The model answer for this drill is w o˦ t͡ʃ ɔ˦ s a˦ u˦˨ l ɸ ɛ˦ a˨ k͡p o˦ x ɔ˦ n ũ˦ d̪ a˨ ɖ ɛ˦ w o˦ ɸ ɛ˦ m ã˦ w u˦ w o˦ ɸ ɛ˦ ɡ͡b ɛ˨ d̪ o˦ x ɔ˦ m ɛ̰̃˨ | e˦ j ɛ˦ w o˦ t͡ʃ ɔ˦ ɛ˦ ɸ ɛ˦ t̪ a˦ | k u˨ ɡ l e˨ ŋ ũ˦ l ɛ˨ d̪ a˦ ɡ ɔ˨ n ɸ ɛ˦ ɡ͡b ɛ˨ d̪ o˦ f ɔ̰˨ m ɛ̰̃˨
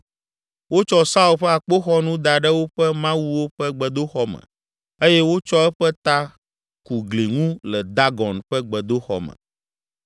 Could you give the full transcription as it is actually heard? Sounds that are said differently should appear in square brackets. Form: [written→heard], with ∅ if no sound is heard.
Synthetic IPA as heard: w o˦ t͡ʃ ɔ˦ s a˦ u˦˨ l ɸ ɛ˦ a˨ k͡p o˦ x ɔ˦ n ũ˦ d̪ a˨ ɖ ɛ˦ w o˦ ɸ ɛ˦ m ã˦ w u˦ w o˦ ɸ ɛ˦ ɡ͡b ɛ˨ d̪ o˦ x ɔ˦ m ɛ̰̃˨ | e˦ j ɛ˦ w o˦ t͡ʃ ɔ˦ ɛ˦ ɸ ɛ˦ t̪ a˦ | k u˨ ɡ l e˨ ŋ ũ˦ l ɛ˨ d̪ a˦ ɡ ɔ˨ n ɸ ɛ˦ ɡ͡b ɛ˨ d̪ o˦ [f→x] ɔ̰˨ m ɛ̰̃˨